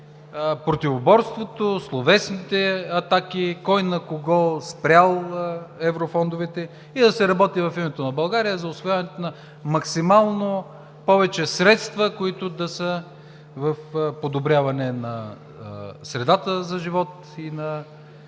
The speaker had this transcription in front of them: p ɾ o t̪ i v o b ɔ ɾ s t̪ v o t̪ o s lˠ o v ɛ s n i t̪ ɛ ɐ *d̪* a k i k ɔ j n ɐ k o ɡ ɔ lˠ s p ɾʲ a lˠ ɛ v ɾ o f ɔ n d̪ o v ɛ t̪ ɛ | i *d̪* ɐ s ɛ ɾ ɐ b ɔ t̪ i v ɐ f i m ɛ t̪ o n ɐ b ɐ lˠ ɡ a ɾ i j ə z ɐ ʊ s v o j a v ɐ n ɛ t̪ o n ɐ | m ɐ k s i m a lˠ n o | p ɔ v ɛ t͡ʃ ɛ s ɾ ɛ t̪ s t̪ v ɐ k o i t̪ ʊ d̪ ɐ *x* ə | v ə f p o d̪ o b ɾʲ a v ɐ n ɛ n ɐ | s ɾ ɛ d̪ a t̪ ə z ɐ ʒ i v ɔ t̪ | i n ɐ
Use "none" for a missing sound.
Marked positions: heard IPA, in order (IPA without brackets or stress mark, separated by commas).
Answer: t̪, d̪, s